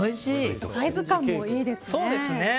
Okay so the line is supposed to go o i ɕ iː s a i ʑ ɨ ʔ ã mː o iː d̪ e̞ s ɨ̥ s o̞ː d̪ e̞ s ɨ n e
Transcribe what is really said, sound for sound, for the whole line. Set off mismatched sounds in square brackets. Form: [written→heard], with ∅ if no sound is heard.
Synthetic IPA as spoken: o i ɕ iː s a i [ʑ→z] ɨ [ʔ→k] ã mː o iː d̪ e̞ s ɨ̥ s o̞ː d̪ e̞ s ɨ n e